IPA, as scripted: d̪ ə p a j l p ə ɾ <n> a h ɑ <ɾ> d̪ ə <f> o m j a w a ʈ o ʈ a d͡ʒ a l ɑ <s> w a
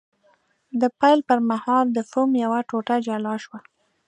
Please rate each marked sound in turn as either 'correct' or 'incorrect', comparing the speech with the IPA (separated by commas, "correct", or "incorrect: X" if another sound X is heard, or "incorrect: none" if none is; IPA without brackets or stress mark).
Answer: incorrect: m, incorrect: l, correct, incorrect: ʃ